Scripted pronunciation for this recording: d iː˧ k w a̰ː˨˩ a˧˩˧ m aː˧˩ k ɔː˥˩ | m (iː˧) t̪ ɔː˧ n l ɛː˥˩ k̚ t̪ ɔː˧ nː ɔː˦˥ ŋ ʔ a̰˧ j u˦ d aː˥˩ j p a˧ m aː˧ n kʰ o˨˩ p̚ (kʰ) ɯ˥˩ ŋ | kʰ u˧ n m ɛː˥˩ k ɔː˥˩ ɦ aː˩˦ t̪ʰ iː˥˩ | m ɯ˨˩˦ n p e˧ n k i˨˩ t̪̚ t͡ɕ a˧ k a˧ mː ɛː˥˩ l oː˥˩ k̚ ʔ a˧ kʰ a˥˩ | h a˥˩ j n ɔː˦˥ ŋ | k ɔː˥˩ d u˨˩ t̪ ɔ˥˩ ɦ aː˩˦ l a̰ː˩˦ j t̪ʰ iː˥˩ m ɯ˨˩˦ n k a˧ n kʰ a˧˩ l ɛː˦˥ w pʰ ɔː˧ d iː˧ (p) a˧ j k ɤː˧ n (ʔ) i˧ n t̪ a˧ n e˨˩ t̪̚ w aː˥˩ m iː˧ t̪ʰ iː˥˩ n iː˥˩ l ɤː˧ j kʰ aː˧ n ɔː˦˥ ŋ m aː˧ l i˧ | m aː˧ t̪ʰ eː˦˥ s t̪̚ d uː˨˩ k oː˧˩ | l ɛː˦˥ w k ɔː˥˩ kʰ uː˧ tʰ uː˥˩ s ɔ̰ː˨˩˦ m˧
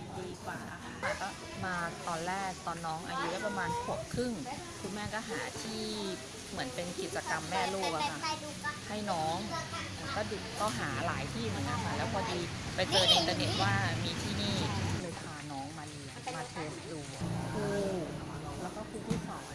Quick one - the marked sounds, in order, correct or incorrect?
incorrect, correct, correct, correct

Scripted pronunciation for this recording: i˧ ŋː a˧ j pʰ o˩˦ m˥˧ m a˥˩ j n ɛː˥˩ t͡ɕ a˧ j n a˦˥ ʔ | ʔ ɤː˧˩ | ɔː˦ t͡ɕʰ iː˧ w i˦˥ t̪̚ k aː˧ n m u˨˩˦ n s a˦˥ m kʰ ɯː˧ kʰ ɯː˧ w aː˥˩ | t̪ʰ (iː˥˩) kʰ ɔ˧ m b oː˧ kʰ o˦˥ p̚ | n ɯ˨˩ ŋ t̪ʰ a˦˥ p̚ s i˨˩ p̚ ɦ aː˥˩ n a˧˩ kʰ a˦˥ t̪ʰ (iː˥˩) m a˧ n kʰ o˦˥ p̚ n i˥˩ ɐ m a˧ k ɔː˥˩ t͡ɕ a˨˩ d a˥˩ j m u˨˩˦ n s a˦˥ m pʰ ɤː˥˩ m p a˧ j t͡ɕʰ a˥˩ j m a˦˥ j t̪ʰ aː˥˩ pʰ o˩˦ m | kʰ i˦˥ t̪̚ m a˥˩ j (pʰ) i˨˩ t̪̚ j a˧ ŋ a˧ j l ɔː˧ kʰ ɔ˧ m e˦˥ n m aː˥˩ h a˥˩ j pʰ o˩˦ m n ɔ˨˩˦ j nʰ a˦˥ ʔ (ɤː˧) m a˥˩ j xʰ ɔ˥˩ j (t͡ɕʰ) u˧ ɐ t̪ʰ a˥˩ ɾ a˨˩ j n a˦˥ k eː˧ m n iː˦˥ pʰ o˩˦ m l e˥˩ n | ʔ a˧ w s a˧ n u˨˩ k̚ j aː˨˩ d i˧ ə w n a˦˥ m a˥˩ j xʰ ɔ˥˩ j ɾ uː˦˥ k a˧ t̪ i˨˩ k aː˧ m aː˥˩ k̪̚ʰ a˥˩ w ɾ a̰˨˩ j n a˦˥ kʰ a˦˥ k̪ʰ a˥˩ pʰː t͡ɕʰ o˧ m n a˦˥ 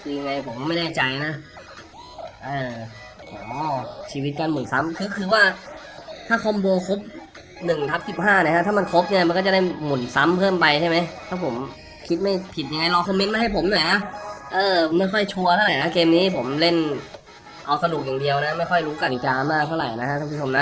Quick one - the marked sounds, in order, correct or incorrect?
incorrect, incorrect, correct, correct, correct

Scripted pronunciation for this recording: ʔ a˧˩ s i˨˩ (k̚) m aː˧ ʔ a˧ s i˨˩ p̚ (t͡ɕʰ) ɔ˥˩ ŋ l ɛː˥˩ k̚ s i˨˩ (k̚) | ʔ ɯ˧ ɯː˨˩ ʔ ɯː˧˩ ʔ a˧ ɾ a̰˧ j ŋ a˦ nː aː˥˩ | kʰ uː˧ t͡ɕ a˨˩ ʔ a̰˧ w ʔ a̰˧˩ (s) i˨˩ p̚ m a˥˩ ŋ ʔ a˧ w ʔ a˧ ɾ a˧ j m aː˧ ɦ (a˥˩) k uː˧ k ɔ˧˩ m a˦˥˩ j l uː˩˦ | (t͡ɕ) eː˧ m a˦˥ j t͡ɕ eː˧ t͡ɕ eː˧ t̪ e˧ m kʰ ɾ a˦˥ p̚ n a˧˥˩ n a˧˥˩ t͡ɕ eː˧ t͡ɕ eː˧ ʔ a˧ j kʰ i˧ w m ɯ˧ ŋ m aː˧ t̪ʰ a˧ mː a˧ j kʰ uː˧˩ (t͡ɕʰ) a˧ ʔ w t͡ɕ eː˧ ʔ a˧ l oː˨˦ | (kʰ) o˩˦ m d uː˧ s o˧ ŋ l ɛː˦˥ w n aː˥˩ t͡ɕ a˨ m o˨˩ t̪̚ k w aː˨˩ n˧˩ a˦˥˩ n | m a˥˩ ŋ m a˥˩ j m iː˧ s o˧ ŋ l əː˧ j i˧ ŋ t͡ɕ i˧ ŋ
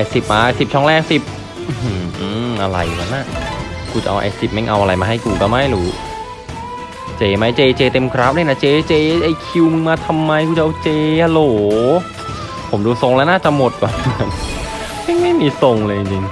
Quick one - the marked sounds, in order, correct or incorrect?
incorrect, correct, incorrect, correct, correct, correct, incorrect, incorrect

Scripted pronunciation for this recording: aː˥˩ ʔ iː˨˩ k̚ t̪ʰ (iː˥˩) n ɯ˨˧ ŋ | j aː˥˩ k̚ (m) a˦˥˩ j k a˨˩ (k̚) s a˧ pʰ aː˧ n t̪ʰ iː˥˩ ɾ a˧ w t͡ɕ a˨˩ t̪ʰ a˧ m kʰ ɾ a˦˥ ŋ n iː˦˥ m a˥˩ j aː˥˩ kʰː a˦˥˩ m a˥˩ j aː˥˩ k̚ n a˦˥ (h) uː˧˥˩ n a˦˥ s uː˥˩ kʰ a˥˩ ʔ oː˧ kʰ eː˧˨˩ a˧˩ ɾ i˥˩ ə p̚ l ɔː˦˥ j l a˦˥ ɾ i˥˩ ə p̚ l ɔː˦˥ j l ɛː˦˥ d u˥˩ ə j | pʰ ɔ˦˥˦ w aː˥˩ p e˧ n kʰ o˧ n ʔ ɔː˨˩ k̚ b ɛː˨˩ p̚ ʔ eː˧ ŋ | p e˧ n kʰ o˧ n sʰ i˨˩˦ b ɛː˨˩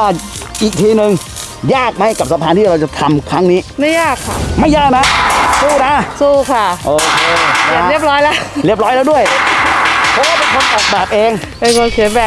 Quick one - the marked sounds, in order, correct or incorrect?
incorrect, correct, incorrect, incorrect

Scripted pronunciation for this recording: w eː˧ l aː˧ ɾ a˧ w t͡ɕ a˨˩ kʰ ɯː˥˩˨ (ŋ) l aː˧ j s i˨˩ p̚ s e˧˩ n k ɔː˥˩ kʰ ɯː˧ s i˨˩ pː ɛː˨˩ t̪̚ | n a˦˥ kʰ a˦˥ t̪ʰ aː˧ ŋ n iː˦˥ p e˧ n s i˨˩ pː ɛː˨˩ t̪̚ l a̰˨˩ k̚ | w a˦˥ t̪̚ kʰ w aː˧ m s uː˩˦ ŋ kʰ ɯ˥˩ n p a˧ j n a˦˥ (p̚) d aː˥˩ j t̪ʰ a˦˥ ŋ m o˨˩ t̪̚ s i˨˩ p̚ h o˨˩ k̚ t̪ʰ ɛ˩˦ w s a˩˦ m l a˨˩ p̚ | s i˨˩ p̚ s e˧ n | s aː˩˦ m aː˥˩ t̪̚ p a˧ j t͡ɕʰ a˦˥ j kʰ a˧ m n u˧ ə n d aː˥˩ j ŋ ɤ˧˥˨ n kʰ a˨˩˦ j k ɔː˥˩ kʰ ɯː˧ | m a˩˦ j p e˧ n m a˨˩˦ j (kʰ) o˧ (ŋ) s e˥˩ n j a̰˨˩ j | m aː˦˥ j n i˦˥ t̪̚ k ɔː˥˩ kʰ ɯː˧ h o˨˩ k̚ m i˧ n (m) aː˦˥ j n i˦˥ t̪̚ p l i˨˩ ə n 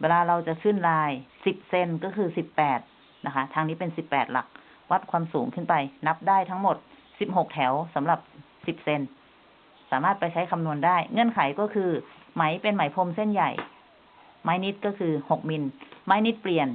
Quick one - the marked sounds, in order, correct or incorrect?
incorrect, correct, incorrect, incorrect, correct

